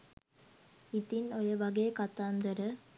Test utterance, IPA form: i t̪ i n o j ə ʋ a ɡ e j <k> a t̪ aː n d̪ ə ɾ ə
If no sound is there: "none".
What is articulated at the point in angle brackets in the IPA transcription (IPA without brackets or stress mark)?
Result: k